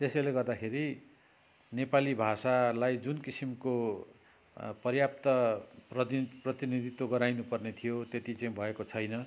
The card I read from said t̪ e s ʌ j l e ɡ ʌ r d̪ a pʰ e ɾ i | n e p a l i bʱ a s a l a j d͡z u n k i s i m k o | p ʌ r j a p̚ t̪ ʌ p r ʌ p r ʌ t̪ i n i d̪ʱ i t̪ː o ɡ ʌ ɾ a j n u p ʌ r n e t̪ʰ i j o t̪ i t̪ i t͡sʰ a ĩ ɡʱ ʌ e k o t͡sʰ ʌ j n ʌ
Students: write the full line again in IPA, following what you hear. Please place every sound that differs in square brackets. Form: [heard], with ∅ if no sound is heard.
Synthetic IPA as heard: t̪ e s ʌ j l e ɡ ʌ r d̪ a [kʰ] e ɾ i | n e p a l i bʱ a s a l a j d͡z u n k i s i m k o | p ʌ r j a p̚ t̪ ʌ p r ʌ p r ʌ t̪ i n i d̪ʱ i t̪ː o ɡ ʌ ɾ a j n u p ʌ r n e t̪ʰ i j o t̪ [e] t̪ i [t͡s] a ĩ [bʱ] ʌ e k o t͡sʰ ʌ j n ʌ

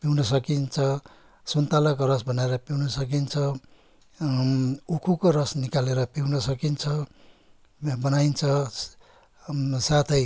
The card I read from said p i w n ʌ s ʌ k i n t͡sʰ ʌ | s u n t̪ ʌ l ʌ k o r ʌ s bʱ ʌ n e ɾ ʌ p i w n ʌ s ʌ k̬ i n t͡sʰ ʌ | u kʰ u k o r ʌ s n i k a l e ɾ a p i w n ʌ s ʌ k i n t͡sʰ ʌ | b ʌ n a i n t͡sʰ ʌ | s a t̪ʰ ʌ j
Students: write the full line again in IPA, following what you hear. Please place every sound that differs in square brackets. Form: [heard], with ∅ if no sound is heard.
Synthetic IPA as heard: p i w n ʌ s ʌ k i n t͡sʰ ʌ | s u n t̪ [a] l ʌ k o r ʌ s bʱ ʌ n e ɾ ʌ p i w n ʌ s ʌ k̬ i n t͡sʰ ʌ | u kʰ u k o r ʌ s n i k a l e ɾ [ʌ] p i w n ʌ s ʌ k i n t͡sʰ ʌ | b ʌ n a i n t͡sʰ ʌ | s a t̪ʰ ʌ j

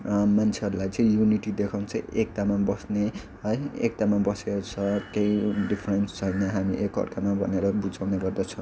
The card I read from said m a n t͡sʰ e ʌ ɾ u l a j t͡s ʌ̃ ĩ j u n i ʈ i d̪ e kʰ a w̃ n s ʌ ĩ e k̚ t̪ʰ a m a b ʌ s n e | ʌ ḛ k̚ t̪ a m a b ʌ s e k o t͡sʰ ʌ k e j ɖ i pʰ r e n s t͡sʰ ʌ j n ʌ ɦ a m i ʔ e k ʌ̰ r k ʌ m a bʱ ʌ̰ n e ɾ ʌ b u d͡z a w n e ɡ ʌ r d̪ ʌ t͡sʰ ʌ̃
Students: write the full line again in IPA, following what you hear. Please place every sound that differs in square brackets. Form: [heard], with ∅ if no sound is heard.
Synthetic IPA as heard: m a n t͡sʰ e ʌ ɾ u l a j t͡s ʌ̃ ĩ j u n i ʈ i d̪ e kʰ a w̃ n [t͡s] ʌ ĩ e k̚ [t̪] a m a b ʌ s n e | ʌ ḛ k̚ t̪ a m a b ʌ s e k o t͡sʰ ʌ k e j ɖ i pʰ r e n s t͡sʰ ʌ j n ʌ ɦ a m i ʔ e k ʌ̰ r k [a] m a bʱ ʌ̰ n e ɾ ʌ b u d͡z a w n e ɡ ʌ r d̪ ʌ t͡sʰ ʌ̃

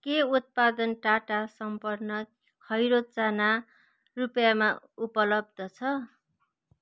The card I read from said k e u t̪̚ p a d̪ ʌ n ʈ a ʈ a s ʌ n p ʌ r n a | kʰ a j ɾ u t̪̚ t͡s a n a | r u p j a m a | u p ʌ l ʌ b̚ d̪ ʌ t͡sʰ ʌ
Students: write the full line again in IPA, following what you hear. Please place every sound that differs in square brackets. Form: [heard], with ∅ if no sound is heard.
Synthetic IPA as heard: k e u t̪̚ p a d̪ ʌ n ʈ a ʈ a s ʌ [m] p ʌ r n [ʌ] | kʰ [ʌ] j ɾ [o] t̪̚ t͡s a n a | r u p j a m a | u p ʌ l ʌ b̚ d̪ ʌ t͡sʰ ʌ

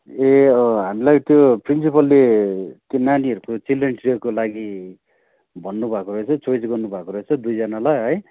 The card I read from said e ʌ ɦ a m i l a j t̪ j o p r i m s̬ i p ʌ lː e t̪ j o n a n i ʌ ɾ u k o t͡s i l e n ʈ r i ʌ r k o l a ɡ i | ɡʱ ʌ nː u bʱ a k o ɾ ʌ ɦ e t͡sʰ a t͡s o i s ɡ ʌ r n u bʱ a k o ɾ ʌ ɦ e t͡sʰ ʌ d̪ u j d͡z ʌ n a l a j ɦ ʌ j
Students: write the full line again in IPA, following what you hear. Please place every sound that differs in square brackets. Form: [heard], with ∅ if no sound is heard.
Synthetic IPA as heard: e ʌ ɦ a m i l a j t̪ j o p r i [n] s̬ i p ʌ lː e t̪ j o n a n i ʌ ɾ u k o t͡s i l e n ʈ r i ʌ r k o l a ɡ i | [bʱ] ʌ nː u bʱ a k o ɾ ʌ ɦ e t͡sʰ [ʌ] t͡s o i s ɡ ʌ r n u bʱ a k o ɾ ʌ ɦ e t͡sʰ ʌ d̪ u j d͡z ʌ n a l a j ɦ ʌ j

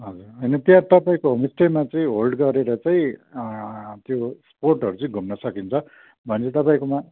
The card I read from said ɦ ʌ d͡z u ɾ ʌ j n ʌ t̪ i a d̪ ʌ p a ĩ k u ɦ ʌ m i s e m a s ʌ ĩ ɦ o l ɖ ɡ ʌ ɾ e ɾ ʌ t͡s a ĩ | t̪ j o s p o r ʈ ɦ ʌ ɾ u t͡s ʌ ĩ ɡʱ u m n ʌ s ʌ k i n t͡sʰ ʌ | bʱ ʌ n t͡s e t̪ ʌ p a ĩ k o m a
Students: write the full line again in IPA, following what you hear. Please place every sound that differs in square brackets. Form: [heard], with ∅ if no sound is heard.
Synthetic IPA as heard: ɦ ʌ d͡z u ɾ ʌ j n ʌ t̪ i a [t̪] ʌ p a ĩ k [o] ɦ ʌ m i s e m a [t͡s] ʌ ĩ ɦ o l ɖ ɡ ʌ ɾ e ɾ ʌ t͡s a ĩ | t̪ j o s p o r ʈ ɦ ʌ ɾ u t͡s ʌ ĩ ɡʱ u m n ʌ s ʌ k i n t͡sʰ ʌ | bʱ ʌ n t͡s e t̪ ʌ p a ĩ k o m a

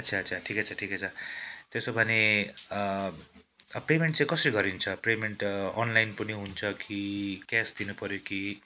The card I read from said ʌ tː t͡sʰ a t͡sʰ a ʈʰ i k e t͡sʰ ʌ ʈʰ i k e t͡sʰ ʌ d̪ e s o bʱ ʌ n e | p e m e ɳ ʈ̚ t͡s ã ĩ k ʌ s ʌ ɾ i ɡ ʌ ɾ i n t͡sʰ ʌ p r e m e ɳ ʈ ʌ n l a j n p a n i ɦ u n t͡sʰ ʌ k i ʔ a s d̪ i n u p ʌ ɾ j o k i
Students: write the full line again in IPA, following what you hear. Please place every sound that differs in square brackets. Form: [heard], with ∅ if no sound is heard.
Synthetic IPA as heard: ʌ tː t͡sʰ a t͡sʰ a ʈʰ i k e t͡sʰ ʌ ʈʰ i k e t͡sʰ ʌ [t̪] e s o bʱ ʌ n e | p e m e ɳ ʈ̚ t͡s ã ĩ k ʌ s ʌ ɾ i ɡ ʌ ɾ i n t͡sʰ ʌ p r e m e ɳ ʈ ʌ n l a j n p [ʌ] n i ɦ u n t͡sʰ ʌ k i [k] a s d̪ i n u p ʌ ɾ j o k i

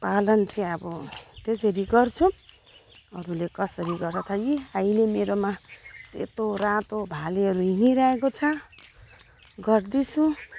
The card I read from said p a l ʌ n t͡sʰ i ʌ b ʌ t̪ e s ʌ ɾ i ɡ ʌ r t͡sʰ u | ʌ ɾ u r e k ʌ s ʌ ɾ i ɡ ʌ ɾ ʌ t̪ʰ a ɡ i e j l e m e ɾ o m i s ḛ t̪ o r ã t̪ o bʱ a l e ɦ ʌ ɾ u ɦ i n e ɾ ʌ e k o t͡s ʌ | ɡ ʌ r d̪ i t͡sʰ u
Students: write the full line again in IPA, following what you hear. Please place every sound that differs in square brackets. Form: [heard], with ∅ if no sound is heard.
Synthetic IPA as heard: p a l ʌ n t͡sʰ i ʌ b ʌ t̪ e s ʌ ɾ i ɡ ʌ r t͡sʰ u | ʌ ɾ u [l] e k ʌ s ʌ ɾ i ɡ ʌ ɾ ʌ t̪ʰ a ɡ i [a] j l e m e ɾ o m [a] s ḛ t̪ o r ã t̪ o bʱ a l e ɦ ʌ ɾ u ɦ i n [i] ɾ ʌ e k o [t͡sʰ] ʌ | ɡ ʌ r d̪ i t͡sʰ u

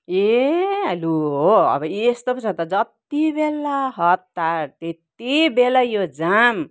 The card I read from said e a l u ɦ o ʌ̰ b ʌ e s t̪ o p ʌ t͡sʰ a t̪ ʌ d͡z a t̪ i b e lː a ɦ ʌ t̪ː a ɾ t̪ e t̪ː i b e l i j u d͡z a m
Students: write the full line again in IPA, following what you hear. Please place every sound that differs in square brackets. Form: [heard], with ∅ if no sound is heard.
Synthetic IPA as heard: e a l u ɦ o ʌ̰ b ʌ e s t̪ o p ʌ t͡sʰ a t̪ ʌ d͡z [ʌ] t̪ i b e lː a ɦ ʌ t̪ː a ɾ t̪ e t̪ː i b e l [a] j [o] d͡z a m

